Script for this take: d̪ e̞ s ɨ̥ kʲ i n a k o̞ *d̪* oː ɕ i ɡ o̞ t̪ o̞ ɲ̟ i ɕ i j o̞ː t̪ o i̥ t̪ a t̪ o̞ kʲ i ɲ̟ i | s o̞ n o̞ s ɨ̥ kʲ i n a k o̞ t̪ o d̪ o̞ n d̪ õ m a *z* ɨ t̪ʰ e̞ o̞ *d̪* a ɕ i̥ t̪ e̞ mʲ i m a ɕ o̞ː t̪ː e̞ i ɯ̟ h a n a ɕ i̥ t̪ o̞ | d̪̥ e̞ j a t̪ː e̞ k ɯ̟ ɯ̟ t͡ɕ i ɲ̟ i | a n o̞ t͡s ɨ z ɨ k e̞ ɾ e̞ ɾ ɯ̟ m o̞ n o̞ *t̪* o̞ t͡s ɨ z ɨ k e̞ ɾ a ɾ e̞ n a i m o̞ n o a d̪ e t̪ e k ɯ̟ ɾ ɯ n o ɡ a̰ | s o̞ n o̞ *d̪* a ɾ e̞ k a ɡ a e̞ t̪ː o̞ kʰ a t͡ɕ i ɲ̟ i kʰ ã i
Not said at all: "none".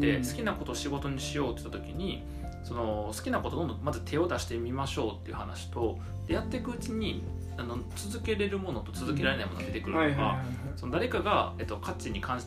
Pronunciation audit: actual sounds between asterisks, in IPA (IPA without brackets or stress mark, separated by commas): t̪, z, d̪, t̪, d̪